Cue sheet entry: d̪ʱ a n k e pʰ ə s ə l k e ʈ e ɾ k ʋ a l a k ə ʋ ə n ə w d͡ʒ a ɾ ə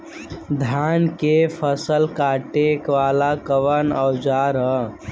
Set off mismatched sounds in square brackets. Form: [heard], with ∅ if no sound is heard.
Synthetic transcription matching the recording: d̪ʱ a n k e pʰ ə s ə l k [a] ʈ e [∅] k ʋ a l a k ə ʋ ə n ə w d͡ʒ a ɾ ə